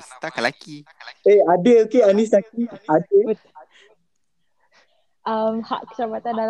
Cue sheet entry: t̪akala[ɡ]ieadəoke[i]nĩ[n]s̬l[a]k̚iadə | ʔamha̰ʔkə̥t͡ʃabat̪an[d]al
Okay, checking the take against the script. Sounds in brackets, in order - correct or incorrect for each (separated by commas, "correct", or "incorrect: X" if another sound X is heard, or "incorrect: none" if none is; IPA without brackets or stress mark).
incorrect: k, incorrect: a, incorrect: none, correct, correct